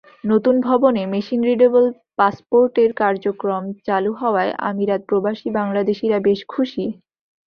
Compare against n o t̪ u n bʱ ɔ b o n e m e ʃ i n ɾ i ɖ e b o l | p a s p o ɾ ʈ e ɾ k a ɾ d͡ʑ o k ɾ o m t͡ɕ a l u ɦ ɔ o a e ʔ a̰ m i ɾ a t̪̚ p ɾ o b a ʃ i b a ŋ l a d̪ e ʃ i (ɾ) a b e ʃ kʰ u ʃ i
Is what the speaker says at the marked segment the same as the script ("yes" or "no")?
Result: yes